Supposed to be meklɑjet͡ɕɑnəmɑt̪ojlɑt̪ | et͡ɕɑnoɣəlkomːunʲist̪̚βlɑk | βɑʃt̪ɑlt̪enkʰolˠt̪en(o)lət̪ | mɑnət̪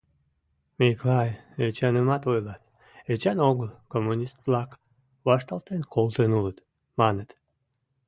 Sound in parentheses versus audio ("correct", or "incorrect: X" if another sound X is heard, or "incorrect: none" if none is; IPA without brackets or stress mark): incorrect: u